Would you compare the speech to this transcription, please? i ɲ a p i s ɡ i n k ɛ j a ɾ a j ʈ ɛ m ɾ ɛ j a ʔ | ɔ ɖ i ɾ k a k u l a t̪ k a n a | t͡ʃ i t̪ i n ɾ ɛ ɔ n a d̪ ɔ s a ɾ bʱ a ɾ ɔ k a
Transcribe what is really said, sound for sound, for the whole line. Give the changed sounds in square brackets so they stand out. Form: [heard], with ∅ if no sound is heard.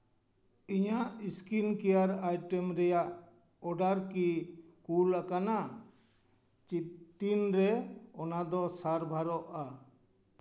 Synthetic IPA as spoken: i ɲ a [ʔ] i s [k] i n k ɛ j a ɾ a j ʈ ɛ m ɾ ɛ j a ʔ | ɔ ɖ [a] ɾ k [i] k u l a [∅] k a n a | t͡ʃ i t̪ i n ɾ ɛ ɔ n a d̪ ɔ s a ɾ bʱ a ɾ ɔ [ʔ] a